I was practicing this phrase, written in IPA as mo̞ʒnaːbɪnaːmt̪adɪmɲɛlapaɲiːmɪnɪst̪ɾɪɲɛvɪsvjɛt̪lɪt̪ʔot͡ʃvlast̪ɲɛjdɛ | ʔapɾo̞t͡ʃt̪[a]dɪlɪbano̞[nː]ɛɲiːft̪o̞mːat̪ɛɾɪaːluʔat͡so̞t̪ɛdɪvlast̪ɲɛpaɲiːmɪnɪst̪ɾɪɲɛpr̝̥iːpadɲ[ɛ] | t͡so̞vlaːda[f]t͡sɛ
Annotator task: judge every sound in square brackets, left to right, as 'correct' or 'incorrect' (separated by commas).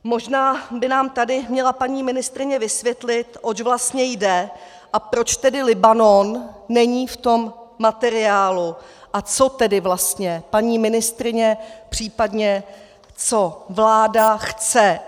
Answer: incorrect, correct, correct, incorrect